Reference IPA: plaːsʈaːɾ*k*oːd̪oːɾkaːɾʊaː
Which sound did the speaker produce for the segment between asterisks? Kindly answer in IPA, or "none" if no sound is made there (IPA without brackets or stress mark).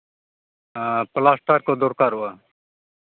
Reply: k